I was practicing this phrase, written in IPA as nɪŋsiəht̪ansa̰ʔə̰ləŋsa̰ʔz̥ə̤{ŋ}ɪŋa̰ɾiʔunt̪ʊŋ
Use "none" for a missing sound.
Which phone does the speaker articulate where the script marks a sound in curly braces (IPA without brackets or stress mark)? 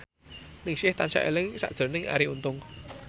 n